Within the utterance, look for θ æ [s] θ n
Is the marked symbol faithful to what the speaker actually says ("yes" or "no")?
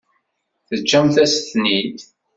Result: yes